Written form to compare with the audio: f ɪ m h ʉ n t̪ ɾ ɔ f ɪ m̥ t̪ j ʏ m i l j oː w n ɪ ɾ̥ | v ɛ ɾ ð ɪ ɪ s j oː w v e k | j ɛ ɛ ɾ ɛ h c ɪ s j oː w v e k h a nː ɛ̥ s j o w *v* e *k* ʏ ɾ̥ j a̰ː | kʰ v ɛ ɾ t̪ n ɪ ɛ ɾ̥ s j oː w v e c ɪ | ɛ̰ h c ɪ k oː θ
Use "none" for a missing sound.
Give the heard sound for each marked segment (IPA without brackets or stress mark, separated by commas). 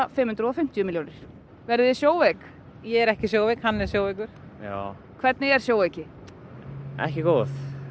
v, k